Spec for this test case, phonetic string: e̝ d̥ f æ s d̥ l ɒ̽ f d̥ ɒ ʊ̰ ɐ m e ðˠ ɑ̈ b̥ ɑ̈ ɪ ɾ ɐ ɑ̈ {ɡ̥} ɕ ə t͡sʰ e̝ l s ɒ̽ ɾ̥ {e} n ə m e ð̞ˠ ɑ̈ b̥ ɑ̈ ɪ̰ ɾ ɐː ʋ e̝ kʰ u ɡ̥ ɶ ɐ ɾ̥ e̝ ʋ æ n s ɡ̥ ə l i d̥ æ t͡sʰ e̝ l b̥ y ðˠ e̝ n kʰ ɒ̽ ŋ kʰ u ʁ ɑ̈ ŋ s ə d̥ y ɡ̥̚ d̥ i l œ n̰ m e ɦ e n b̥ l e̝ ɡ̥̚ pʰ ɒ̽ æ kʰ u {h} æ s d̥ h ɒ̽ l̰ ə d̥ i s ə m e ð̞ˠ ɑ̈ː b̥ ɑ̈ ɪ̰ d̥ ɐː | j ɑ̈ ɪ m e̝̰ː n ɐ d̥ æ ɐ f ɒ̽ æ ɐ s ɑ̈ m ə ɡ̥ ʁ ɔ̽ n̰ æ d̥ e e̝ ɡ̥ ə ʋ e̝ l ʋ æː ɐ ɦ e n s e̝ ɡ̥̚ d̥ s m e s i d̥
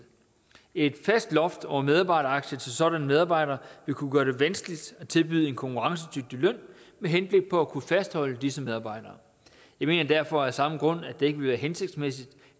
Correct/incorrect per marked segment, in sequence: correct, incorrect, incorrect

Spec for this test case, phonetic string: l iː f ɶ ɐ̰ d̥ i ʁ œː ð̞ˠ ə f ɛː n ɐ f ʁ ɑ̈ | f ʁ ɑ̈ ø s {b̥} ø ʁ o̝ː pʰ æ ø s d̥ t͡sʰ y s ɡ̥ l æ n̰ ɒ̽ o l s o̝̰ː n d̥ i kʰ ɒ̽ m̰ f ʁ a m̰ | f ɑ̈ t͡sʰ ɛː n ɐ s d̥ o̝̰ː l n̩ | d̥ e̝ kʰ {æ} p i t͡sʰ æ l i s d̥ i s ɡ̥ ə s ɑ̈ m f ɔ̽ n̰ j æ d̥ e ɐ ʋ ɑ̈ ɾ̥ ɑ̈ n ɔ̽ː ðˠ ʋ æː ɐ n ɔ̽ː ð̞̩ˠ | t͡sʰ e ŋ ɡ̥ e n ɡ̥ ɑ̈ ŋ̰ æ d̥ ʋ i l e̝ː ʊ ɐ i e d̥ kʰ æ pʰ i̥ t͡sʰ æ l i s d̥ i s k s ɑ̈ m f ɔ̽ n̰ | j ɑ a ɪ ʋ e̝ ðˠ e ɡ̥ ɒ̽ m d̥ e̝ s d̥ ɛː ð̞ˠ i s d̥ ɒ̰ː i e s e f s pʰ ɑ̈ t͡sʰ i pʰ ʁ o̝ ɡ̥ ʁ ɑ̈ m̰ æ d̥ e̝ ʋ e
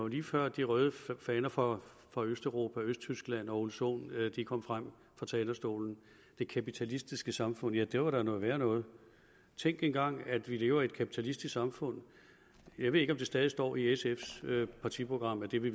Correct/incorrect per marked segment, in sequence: incorrect, correct

